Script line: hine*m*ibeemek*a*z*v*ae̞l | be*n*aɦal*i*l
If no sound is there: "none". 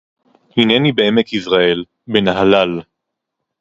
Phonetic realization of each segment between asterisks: n, i, ʁ, n, a

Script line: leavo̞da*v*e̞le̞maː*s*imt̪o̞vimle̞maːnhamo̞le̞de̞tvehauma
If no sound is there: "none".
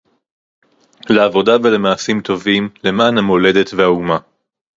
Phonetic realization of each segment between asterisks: v, s

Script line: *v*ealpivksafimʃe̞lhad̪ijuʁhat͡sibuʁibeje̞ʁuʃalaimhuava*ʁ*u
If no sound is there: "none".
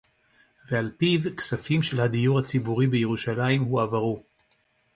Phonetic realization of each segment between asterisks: v, ʁ

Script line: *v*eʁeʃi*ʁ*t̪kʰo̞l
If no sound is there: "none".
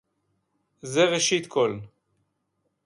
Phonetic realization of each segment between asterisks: z, none

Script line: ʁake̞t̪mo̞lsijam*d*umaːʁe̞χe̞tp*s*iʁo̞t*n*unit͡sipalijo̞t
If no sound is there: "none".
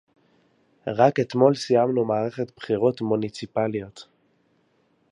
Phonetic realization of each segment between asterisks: n, χ, m

